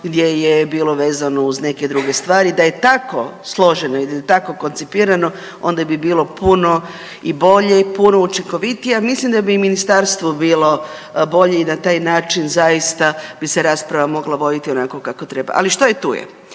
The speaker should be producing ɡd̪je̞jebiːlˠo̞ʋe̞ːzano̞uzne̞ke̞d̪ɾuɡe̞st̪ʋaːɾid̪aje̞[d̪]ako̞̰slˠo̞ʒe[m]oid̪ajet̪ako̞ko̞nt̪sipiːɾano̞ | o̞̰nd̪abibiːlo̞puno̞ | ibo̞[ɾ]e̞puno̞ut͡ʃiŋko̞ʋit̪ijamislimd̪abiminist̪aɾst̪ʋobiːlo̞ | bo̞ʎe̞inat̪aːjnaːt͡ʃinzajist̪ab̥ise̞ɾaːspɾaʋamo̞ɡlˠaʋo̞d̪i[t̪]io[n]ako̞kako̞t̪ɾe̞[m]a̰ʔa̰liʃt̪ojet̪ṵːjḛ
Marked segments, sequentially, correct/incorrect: incorrect: t̪, incorrect: n, incorrect: ʎ, correct, correct, incorrect: b

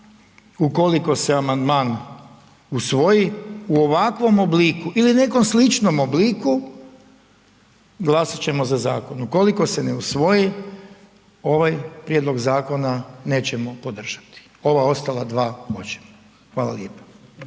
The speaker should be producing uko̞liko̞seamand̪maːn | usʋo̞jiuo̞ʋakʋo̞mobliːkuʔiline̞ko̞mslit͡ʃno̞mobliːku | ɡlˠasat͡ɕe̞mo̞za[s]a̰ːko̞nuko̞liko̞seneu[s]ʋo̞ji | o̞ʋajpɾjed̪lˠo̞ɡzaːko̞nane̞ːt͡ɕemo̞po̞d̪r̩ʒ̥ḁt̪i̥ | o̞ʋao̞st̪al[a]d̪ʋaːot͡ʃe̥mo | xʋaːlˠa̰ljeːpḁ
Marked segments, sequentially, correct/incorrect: incorrect: z, correct, correct

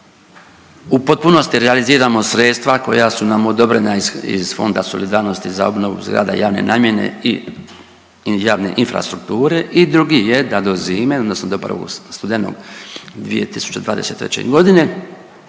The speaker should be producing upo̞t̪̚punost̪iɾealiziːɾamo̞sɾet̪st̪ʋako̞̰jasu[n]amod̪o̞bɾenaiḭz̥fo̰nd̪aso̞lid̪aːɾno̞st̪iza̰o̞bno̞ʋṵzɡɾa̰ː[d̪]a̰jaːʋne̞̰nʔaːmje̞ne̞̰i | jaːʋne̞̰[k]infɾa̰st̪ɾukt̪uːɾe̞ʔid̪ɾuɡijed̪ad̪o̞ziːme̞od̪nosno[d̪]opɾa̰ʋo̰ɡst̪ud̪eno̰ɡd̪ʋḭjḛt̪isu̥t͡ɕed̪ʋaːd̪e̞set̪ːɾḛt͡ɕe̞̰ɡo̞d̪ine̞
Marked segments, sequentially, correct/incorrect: correct, correct, incorrect: ʔ, correct

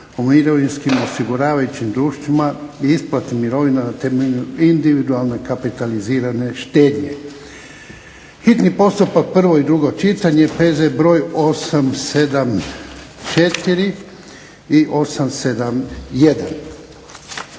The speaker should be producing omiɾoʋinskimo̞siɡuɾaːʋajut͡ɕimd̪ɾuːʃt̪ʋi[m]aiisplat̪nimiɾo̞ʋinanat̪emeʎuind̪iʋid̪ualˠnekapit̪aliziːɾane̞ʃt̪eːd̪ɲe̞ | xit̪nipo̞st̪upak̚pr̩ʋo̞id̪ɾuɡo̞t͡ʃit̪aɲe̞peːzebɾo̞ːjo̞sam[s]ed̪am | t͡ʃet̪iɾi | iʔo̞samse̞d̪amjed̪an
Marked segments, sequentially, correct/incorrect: correct, correct

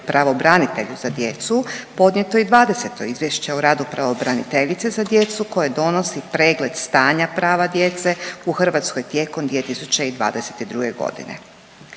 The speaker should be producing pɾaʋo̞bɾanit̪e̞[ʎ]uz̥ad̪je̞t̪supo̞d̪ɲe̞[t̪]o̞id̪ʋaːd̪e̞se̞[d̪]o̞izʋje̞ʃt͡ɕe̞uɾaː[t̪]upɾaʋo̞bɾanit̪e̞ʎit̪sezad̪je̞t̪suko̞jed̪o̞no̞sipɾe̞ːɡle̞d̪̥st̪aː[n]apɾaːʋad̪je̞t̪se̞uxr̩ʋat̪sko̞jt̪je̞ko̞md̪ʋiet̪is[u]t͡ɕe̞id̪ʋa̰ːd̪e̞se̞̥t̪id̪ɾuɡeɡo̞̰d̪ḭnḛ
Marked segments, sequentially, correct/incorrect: correct, correct, incorrect: t̪, incorrect: d̪, incorrect: ɲ, correct

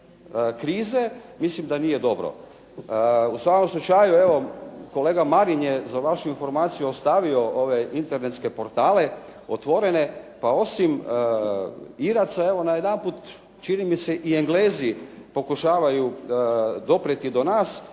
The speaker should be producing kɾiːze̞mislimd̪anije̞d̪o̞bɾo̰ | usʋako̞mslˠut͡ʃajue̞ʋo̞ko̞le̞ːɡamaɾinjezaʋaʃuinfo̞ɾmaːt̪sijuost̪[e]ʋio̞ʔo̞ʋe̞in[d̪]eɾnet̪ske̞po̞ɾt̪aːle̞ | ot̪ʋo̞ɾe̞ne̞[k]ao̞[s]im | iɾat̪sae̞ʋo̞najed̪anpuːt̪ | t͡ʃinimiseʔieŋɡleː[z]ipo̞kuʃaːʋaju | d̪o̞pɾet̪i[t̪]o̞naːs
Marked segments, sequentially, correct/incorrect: incorrect: a, incorrect: t̪, incorrect: p, correct, correct, incorrect: d̪

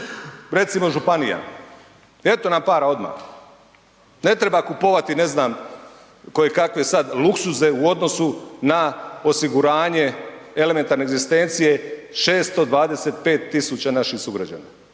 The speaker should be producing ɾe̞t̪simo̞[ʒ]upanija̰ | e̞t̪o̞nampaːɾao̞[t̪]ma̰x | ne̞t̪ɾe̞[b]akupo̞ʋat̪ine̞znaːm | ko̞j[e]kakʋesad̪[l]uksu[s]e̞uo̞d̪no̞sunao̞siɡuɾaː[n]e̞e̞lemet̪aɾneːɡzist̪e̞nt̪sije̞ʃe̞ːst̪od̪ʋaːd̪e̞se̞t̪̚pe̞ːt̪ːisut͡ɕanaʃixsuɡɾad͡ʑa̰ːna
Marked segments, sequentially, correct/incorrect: correct, incorrect: d̪, correct, correct, correct, incorrect: z, incorrect: ɲ

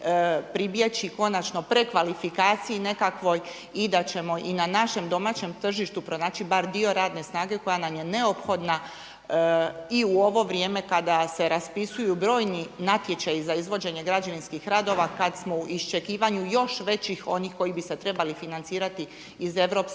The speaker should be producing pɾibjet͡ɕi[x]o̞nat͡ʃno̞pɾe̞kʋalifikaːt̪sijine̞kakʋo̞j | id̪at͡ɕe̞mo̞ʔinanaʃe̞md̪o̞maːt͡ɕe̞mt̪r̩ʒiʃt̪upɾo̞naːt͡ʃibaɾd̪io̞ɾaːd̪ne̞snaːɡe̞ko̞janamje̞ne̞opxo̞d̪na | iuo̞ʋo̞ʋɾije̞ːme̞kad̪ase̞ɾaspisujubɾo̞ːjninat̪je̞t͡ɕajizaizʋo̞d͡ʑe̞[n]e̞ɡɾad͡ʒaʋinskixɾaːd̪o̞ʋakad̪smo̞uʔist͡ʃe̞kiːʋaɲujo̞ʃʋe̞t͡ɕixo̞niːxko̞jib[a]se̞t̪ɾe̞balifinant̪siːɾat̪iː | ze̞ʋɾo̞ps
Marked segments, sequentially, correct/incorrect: incorrect: k, incorrect: ɲ, incorrect: i

